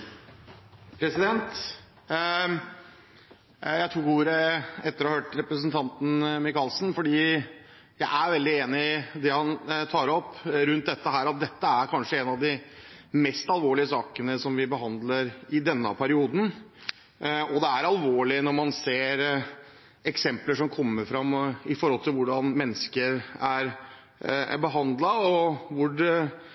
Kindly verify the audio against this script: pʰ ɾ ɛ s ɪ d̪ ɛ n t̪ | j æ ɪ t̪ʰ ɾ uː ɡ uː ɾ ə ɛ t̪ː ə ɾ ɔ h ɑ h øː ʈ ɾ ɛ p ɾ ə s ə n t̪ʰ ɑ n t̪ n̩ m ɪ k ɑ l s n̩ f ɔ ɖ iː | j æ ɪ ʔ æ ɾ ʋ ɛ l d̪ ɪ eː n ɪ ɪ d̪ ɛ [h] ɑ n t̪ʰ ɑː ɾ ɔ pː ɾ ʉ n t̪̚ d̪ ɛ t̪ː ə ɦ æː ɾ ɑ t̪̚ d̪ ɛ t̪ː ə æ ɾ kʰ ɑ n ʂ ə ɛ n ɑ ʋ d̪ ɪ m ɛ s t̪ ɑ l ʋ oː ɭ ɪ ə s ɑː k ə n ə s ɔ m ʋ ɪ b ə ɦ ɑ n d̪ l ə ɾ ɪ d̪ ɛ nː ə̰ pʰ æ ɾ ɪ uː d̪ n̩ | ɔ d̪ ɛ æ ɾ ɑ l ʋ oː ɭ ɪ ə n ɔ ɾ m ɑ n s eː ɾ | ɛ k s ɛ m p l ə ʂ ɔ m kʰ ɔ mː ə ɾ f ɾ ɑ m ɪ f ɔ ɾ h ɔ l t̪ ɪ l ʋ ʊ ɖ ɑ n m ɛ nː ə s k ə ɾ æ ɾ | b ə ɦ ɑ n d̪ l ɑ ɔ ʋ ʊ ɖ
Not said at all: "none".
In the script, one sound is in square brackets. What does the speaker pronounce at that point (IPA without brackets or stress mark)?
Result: h